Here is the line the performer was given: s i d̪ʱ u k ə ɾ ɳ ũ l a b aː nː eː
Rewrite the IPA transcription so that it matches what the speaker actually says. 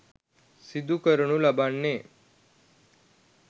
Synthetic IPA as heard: s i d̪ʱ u k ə ɾ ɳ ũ l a b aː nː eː